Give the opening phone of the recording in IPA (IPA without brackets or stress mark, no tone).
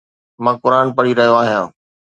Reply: m